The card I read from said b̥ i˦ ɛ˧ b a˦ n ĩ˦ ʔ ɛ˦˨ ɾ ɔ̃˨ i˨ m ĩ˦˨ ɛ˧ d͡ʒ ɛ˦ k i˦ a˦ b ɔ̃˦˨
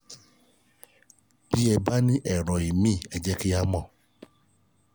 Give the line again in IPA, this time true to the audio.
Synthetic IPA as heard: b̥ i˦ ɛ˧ b a˦ n ĩ˦ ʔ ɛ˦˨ ɾ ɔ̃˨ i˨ m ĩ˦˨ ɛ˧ d͡ʒ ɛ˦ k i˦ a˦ m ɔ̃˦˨

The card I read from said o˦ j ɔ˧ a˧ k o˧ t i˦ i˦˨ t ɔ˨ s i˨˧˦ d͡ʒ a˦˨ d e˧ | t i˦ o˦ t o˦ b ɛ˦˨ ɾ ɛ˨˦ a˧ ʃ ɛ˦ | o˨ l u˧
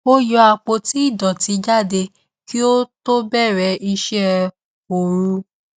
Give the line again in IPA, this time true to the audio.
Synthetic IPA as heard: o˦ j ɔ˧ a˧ k͡p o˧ t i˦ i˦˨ d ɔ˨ t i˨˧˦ d͡ʒ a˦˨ d e˧ | k i˦ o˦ t o˦ b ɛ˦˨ ɾ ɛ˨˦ i˧ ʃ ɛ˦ | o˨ ɾ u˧

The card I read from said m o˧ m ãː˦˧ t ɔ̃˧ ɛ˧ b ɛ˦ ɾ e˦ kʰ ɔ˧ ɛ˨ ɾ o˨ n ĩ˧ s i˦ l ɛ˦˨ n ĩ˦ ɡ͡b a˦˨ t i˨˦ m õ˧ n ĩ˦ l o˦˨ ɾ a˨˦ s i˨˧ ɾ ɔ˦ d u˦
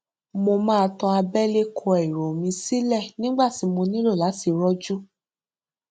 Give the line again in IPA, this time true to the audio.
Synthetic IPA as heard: m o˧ m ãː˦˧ t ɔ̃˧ a˧ b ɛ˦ l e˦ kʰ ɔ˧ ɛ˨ ɾ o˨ m ĩ˧ s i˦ l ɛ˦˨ n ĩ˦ ɡ͡b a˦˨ t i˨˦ m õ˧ n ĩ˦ l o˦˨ l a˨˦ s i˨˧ ɾ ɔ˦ d͡ʒ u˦

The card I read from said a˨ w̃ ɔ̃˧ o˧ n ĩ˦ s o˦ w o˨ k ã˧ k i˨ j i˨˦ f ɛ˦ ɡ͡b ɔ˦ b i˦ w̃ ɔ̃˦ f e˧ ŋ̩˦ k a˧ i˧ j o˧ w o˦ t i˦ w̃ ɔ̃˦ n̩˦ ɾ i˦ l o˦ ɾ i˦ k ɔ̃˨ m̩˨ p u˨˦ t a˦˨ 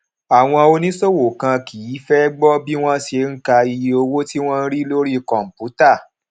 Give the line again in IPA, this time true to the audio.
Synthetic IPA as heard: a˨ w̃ ɔ̃˧ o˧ n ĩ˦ s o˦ w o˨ k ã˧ k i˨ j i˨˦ f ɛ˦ ɡ͡b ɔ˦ b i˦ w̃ ɔ̃˦ ʃ e˧ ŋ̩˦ k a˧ i˧ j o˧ w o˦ t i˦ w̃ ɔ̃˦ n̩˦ ɾ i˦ l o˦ ɾ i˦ k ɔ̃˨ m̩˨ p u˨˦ t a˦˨

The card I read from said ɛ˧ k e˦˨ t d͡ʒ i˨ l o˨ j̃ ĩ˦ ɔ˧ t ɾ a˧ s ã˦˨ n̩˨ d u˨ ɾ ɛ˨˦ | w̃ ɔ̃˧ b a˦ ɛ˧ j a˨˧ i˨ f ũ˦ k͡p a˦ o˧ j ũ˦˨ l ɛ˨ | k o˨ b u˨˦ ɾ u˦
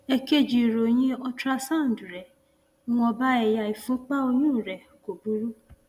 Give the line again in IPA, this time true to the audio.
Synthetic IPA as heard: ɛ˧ k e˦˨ d͡ʒ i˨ ɾ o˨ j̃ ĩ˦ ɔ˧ t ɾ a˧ s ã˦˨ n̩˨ d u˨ ɾ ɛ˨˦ | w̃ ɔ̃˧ b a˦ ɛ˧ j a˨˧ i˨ f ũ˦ k͡p a˦ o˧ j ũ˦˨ ɾ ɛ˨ | k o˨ b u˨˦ ɾ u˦

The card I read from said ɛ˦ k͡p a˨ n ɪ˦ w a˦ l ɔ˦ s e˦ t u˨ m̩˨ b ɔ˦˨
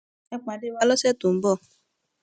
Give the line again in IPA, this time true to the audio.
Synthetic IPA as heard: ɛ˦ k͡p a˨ d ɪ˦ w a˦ l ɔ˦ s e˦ t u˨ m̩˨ b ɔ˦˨

